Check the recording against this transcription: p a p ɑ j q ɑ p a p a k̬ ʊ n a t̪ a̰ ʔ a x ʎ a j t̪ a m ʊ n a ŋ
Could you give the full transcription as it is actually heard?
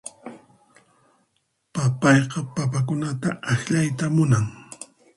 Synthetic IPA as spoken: p a p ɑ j q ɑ p a p a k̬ ʊ n a t̪ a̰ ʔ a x ʎ a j t̪ a m ʊ n a ŋ